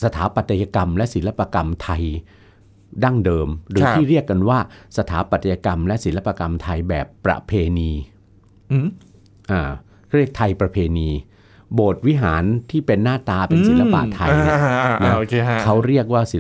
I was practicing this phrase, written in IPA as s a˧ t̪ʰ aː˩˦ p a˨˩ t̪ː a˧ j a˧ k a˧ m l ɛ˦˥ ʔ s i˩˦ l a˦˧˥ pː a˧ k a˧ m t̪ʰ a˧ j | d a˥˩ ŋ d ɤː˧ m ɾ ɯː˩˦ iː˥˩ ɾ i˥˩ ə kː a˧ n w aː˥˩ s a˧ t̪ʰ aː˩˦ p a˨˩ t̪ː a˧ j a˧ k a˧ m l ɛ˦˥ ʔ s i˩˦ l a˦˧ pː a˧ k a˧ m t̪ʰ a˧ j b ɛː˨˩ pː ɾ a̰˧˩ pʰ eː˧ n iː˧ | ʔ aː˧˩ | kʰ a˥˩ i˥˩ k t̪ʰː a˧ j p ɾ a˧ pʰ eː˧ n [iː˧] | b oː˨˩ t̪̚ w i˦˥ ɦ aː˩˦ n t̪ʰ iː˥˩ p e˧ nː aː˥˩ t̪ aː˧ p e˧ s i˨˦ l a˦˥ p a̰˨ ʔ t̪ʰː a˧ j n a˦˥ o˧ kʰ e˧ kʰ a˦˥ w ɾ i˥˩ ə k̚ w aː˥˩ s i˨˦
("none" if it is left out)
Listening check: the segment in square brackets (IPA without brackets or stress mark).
iː˧